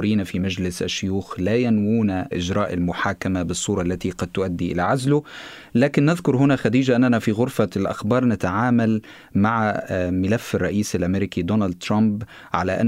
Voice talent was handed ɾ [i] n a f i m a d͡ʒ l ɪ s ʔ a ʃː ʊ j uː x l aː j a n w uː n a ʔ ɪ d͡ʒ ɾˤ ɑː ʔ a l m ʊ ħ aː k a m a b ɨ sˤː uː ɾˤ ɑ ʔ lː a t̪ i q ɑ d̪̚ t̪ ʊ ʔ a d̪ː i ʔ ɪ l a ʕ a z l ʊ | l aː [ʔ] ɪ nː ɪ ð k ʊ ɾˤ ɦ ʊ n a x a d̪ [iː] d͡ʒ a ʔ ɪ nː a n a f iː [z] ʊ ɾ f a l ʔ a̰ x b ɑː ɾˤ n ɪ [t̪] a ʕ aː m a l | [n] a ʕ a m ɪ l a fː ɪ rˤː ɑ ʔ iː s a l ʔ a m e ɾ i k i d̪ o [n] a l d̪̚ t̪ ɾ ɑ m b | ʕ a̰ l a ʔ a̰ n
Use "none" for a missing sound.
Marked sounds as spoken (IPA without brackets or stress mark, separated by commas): iː, k, iː, ɣ, t̪, m, n